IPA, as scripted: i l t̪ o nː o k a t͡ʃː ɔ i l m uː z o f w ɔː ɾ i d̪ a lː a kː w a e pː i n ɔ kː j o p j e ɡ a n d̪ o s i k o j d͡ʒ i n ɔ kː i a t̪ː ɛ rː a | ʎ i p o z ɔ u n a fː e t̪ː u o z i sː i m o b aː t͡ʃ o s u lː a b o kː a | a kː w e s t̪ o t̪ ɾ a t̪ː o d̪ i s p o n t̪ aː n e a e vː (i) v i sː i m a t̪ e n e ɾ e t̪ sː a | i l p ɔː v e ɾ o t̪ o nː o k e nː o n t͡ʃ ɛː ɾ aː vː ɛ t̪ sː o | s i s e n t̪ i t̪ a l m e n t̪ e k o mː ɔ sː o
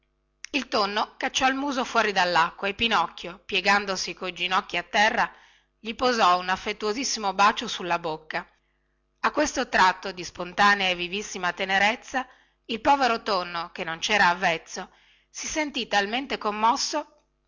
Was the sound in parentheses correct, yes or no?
yes